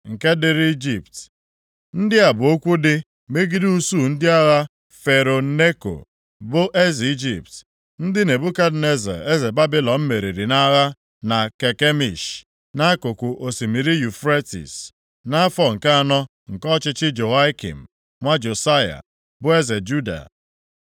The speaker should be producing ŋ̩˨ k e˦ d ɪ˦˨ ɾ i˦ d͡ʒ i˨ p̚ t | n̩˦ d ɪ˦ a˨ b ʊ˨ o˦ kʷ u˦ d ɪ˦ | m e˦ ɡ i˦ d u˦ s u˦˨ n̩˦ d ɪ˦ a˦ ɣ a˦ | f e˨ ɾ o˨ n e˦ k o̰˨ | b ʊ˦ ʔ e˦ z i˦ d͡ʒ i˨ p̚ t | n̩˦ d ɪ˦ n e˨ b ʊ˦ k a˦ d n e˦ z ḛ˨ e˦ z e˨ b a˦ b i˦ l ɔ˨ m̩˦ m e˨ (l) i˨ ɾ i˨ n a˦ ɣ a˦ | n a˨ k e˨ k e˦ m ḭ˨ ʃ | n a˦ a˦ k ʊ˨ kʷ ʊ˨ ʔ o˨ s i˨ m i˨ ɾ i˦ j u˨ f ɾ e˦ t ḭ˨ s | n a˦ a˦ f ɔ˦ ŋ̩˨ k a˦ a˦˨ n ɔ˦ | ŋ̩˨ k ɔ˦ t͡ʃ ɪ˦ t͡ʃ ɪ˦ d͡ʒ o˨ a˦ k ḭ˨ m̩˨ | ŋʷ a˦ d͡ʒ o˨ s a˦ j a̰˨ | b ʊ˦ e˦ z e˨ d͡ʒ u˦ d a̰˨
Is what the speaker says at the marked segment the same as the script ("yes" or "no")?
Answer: no